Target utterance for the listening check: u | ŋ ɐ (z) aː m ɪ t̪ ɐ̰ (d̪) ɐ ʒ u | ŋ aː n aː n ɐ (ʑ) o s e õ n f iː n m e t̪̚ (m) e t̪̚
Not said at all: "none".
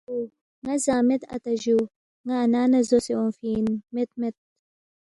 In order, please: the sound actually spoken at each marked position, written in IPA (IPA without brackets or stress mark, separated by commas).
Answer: z, t̪, z, m